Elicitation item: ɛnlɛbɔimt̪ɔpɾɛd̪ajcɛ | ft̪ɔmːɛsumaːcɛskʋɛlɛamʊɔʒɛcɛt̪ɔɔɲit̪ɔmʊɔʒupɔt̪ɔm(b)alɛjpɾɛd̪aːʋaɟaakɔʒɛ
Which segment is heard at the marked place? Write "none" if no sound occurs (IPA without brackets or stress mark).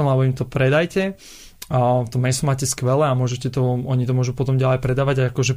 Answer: ɟ